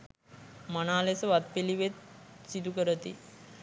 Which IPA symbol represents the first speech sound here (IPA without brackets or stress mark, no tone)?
m